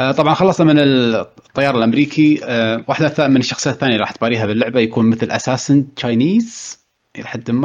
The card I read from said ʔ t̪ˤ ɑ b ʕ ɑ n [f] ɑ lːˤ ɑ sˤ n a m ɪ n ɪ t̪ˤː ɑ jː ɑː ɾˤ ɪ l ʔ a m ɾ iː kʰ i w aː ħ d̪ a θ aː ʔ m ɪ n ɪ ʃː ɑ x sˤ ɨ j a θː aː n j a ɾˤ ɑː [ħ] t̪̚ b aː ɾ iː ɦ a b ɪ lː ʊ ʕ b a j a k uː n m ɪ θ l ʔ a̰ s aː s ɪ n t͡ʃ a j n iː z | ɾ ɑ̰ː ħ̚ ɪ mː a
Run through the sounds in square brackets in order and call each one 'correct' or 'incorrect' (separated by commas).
incorrect, correct